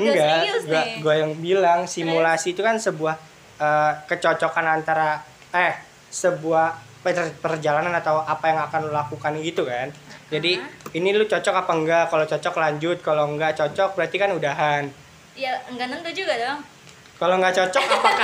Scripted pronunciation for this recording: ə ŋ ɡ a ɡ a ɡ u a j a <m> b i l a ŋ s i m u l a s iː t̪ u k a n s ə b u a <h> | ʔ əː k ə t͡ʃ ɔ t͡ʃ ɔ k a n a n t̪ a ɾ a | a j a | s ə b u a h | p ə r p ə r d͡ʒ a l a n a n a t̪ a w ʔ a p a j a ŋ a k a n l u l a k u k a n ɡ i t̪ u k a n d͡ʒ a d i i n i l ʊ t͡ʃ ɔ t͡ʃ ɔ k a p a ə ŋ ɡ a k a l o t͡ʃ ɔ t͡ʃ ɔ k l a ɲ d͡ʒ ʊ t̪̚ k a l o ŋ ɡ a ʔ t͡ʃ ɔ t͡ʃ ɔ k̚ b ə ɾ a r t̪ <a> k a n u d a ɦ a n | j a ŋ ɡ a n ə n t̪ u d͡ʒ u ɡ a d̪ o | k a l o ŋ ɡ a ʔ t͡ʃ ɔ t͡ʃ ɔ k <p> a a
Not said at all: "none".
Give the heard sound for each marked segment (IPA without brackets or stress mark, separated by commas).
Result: ŋ, h, i, p